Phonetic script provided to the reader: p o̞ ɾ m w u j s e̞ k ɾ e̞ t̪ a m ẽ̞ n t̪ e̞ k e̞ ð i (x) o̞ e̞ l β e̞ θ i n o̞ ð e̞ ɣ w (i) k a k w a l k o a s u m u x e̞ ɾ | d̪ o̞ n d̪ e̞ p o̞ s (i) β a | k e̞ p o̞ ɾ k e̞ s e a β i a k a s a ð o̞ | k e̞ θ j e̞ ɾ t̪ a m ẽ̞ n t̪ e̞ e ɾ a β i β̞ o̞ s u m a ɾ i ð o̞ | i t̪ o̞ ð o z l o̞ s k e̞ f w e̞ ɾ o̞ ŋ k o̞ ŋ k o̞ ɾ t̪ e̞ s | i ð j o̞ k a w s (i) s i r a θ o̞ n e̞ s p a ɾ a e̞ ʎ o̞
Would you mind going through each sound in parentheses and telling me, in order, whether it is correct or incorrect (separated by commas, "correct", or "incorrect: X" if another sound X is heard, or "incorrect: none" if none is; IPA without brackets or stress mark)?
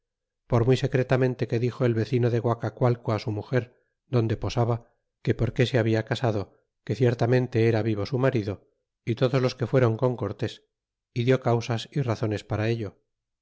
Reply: correct, incorrect: a, incorrect: a, incorrect: a